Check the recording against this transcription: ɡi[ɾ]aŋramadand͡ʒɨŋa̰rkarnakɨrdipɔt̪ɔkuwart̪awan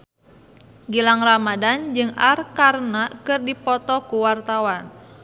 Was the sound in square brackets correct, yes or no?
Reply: no